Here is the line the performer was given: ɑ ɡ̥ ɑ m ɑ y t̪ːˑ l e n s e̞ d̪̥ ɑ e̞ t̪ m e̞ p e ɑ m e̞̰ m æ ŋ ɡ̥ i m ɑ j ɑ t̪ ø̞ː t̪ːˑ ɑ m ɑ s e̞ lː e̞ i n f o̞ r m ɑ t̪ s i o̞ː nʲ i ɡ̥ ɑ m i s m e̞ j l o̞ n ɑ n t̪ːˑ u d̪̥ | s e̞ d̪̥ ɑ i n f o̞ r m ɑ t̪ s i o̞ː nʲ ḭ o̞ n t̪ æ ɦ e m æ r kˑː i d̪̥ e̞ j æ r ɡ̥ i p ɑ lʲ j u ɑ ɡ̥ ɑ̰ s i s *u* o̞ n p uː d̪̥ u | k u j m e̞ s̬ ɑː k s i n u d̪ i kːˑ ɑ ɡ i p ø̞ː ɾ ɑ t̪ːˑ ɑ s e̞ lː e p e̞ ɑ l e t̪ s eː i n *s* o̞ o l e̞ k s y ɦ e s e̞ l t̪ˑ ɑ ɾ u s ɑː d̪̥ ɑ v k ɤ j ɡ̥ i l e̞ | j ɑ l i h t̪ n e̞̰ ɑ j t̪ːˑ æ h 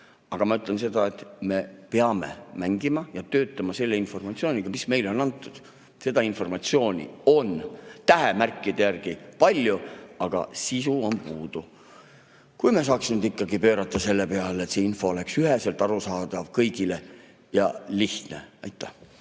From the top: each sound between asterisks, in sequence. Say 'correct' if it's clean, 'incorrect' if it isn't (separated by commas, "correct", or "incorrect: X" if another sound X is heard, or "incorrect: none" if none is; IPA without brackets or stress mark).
correct, incorrect: f